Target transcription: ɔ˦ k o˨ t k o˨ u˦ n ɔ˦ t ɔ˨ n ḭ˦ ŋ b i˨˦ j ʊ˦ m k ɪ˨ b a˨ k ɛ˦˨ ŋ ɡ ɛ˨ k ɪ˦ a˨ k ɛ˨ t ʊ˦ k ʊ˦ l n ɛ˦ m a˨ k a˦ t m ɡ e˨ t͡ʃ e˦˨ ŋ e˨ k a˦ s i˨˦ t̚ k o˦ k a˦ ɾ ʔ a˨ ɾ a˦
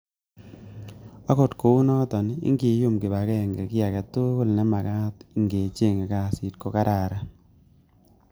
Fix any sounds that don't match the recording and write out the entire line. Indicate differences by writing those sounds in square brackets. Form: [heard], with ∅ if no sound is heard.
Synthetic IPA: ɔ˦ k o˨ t k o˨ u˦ n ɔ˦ t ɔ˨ n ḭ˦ ŋ [ɡ] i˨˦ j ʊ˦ m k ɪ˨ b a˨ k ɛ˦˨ ŋ ɡ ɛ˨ k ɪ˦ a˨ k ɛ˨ t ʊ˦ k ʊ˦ l n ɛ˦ m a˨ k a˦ t [ŋ] ɡ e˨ t͡ʃ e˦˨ ŋ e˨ k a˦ s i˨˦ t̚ k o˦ k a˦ ɾ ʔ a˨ ɾ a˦